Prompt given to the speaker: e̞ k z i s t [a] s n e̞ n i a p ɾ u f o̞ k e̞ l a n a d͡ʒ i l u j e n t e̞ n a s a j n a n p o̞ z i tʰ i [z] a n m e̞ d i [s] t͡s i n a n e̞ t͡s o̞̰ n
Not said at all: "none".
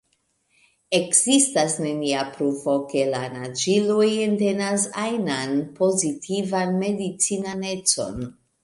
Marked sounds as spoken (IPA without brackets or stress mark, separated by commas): a, v, none